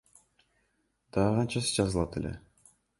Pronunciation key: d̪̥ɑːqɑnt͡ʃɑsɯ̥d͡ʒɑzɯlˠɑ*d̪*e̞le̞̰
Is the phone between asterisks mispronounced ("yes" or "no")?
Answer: yes